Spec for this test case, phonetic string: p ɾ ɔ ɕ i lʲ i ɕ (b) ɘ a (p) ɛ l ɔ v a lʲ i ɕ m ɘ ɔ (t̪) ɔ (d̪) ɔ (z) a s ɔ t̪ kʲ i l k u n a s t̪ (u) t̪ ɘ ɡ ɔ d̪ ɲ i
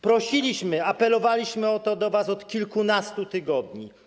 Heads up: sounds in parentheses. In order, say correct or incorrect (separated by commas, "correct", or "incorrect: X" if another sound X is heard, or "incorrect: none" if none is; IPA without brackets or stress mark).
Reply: incorrect: m, correct, correct, correct, incorrect: v, correct